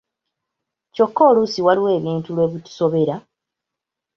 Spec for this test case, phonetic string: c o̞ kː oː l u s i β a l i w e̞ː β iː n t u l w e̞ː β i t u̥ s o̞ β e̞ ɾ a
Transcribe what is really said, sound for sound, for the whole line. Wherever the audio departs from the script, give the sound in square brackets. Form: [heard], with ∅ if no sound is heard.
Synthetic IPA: c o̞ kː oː l u s i [w] a l i w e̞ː β iː n t u l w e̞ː β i t u̥ s o̞ β e̞ ɾ a